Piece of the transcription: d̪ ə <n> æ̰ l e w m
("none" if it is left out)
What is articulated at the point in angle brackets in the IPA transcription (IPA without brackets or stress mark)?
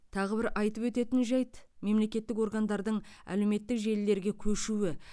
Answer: ɴ